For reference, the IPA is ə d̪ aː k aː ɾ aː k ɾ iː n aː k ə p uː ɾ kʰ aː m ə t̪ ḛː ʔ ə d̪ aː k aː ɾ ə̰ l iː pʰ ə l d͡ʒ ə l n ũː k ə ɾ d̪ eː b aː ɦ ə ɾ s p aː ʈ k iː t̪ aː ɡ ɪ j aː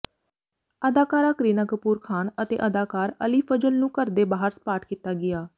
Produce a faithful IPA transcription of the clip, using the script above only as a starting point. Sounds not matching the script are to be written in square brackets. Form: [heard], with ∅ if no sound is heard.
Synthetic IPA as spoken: ə d̪ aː k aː ɾ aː k ɾ iː n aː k ə p uː ɾ kʰ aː [n] ə t̪ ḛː ʔ ə d̪ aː k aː ɾ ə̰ l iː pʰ ə [∅] d͡ʒ ə l n ũː k ə ɾ d̪ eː b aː ɦ ə ɾ s p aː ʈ k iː t̪ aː ɡ ɪ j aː